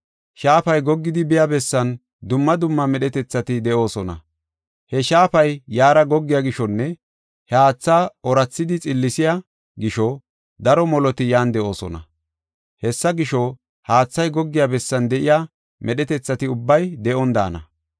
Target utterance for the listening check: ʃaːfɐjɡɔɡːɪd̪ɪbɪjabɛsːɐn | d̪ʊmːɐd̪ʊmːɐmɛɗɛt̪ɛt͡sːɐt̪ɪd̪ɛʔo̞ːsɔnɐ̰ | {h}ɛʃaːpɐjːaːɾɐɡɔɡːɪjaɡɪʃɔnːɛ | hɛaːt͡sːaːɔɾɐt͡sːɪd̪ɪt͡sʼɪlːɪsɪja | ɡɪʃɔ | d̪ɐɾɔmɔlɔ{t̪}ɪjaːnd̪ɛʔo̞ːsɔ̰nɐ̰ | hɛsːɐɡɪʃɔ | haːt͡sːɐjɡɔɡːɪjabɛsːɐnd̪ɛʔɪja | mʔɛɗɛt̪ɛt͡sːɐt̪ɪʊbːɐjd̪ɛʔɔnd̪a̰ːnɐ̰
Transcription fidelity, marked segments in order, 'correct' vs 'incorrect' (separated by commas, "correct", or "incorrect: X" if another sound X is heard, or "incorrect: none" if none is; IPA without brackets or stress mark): correct, correct